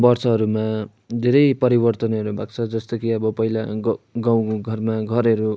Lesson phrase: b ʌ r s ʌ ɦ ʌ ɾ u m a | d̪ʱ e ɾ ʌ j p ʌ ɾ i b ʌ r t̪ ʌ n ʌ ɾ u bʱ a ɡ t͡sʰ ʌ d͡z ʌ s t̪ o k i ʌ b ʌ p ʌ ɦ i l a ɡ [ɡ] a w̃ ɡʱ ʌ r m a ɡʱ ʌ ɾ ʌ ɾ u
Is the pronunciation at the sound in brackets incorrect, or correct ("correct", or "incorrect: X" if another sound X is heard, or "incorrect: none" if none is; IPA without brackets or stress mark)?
correct